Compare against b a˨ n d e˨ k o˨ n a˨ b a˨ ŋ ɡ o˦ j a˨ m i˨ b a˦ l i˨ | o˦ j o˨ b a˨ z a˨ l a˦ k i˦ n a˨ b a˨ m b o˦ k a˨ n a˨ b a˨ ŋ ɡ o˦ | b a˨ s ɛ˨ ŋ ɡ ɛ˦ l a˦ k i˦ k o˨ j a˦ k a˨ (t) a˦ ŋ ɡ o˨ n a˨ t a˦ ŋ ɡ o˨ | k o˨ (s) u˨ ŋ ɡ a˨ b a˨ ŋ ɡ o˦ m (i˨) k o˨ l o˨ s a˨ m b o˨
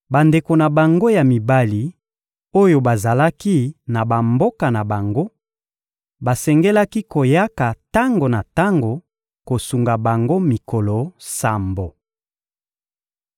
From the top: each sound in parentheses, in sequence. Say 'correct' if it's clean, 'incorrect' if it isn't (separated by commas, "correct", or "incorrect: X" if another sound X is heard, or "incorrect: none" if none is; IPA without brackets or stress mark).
correct, correct, correct